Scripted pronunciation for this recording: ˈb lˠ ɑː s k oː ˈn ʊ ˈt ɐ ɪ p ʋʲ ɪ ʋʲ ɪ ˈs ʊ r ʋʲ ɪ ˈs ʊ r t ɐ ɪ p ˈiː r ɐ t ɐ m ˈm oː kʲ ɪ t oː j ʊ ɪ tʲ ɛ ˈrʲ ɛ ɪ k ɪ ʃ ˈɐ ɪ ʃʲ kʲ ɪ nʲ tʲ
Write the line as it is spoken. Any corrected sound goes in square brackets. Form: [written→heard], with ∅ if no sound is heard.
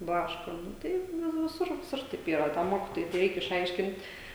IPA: ˈb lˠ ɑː [s→ʃ] k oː ˈn ʊ ˈt ɐ ɪ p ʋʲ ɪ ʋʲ ɪ ˈs ʊ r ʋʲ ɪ ˈs ʊ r t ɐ ɪ p ˈiː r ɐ t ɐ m ˈm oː kʲ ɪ t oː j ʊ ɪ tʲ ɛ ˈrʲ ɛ ɪ k ɪ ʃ ˈɐ ɪ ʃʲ kʲ ɪ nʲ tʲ